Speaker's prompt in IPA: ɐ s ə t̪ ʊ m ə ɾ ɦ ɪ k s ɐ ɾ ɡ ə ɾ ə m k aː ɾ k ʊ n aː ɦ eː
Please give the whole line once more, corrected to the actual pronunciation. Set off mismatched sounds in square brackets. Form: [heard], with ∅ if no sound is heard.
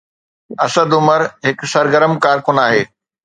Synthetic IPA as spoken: ɐ s ə [d̪] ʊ m ə ɾ ɦ ɪ k s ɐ ɾ ɡ ə ɾ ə m k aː ɾ k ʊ n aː ɦ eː